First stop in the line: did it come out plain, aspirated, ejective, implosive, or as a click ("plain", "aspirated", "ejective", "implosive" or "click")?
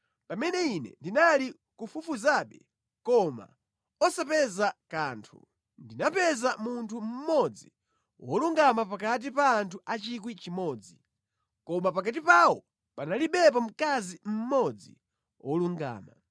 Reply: plain